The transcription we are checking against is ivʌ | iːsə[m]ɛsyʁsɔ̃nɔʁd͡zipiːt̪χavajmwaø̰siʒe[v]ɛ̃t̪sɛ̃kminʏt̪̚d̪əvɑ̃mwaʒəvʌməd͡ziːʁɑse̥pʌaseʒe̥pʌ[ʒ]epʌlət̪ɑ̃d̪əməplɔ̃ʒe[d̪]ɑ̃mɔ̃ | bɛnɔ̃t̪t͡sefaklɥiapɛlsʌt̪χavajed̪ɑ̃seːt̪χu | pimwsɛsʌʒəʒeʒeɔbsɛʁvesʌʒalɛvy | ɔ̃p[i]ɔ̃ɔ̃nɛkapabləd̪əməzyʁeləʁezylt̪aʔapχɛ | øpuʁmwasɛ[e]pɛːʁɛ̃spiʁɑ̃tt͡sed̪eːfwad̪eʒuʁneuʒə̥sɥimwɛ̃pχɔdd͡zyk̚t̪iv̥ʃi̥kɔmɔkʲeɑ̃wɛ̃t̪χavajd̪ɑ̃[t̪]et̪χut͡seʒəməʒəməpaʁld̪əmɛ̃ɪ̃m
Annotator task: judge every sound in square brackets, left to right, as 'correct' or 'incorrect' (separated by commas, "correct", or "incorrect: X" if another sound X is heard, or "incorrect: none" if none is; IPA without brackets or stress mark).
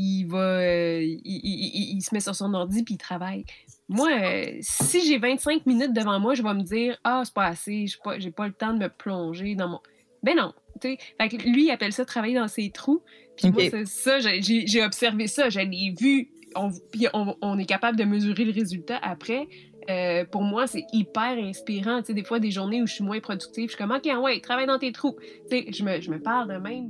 correct, correct, correct, correct, correct, incorrect: i, correct